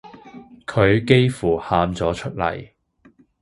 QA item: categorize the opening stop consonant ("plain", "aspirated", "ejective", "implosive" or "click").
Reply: aspirated